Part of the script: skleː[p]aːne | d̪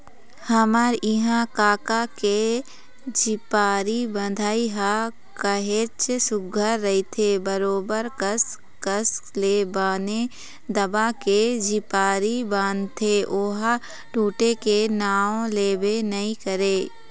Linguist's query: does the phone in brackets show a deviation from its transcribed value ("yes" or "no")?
yes